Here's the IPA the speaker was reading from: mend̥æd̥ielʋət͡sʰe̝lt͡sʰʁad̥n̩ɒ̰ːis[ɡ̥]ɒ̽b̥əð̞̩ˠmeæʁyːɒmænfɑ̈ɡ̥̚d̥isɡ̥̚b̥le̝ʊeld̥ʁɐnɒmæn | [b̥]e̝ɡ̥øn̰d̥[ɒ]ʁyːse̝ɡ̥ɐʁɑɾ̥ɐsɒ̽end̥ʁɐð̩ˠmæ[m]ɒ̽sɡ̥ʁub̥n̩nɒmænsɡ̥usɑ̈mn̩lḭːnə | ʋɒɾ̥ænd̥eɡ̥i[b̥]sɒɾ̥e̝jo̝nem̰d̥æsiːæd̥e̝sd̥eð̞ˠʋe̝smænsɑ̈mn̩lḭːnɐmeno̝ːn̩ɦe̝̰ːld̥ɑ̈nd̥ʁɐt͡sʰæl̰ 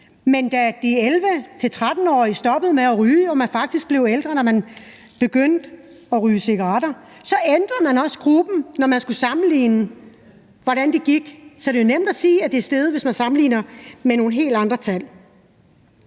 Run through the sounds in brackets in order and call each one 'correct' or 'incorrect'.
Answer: incorrect, correct, correct, incorrect, incorrect

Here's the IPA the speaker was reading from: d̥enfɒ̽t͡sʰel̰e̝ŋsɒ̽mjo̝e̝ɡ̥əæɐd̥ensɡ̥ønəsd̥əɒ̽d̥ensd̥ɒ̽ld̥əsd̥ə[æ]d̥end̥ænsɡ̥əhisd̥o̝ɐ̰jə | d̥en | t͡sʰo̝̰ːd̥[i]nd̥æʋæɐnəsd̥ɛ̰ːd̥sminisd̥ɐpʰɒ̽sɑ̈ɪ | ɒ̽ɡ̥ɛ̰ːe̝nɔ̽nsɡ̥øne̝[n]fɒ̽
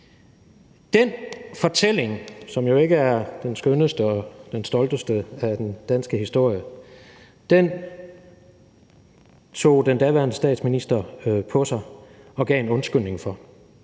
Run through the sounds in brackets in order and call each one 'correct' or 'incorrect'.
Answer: correct, incorrect, incorrect

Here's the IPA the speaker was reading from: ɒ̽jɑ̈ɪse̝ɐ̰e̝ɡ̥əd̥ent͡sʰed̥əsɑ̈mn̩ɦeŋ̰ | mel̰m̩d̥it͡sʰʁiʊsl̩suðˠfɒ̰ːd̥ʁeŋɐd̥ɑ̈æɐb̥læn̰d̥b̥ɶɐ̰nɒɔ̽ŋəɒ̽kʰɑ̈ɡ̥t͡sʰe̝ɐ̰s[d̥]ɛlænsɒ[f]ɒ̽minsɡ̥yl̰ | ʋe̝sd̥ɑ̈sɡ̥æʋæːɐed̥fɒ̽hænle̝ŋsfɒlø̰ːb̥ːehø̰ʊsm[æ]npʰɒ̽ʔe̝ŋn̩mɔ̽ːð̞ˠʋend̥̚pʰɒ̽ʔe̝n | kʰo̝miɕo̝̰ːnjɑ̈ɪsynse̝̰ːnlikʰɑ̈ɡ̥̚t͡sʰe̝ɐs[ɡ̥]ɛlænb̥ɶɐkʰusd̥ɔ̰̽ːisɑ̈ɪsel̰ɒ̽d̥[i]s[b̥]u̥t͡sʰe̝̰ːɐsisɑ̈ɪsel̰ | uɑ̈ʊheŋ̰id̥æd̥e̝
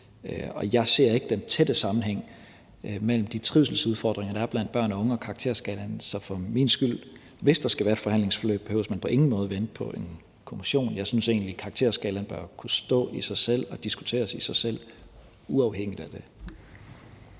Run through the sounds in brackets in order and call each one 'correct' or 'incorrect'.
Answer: incorrect, correct, correct, correct, correct, incorrect

